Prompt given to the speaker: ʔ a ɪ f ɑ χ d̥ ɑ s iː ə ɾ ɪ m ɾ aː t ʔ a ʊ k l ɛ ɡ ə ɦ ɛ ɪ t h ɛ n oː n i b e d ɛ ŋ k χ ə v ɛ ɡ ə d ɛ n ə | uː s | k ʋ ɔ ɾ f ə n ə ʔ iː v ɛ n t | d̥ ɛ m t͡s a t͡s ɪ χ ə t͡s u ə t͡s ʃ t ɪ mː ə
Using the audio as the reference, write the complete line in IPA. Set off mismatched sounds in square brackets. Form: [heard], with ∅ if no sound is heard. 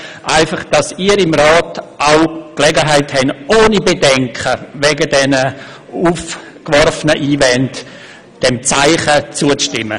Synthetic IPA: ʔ a ɪ f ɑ χ d̥ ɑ s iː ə ɾ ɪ m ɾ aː t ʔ a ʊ k l ɛ ɡ ə ɦ [a] ɪ t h ɛ n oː n i b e d ɛ ŋ k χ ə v ɛ ɡ ə d ɛ n ə | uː [f] | k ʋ ɔ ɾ f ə n ə ʔ iː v ɛ n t | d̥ ɛ m t͡s a [∅] ɪ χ ə t͡s u ə t͡s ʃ t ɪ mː ə